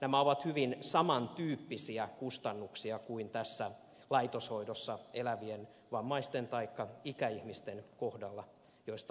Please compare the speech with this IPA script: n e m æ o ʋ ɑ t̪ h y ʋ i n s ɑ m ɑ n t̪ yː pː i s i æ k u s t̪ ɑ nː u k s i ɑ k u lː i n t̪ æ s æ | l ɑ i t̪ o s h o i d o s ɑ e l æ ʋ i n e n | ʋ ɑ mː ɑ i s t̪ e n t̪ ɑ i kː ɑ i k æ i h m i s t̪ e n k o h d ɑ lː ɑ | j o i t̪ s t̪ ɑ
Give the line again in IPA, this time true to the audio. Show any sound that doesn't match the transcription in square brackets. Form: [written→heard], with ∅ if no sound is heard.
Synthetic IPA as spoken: n [e→æ] m æ o ʋ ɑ t̪ h y ʋ i n s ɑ m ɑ n t̪ yː pː i s i æ k u s t̪ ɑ nː u k s i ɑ k u [lː→∅] i n t̪ æ [s→sː] æ | l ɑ i t̪ o s h o i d o [s→sː] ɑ e l æ ʋ i [n→∅] e n | ʋ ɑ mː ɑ i s t̪ e n t̪ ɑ i kː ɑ i k æ i h m i s t̪ e n k o h d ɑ lː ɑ | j o i [t̪→∅] s t̪ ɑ